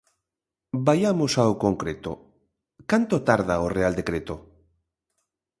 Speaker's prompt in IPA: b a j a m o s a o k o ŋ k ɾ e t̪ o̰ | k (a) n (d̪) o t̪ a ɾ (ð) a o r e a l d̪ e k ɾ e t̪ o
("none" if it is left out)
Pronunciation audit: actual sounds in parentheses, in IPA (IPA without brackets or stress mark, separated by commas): a, t̪, ð